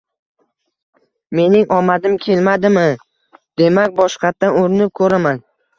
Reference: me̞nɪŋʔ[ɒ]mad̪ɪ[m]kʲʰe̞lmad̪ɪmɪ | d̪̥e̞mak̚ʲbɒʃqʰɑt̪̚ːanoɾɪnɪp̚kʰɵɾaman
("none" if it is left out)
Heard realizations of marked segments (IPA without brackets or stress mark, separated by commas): ɒ, m